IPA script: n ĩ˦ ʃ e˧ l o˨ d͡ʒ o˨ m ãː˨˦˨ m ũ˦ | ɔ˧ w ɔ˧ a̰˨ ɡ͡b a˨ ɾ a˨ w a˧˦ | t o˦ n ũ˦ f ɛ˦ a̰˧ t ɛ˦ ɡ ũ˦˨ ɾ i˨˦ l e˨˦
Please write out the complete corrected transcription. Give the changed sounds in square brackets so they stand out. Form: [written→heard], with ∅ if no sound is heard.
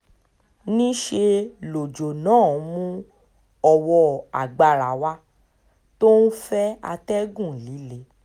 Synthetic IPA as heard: n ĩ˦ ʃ e˧ l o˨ d͡ʒ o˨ [m→n] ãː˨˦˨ m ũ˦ | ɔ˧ w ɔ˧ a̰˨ ɡ͡b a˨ ɾ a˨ w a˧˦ | t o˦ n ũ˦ f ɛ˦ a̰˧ t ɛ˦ ɡ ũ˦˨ [ɾ→l] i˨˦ l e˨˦

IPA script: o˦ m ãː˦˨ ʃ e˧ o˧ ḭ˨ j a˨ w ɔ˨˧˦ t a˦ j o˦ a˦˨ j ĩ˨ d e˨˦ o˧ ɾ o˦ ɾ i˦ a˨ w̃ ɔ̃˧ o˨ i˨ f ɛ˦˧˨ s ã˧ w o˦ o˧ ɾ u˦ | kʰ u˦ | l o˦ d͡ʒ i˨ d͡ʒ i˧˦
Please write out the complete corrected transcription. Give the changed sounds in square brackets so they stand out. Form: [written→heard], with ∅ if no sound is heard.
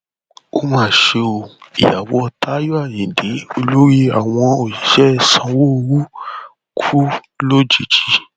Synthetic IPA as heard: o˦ m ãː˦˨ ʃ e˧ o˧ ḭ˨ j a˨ w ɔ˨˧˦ t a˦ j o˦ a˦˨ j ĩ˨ d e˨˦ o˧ [ɾ→l] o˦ ɾ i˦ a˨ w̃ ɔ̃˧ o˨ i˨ [f→ʃ] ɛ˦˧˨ s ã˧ w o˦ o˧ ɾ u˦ | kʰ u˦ | l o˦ d͡ʒ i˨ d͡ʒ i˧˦

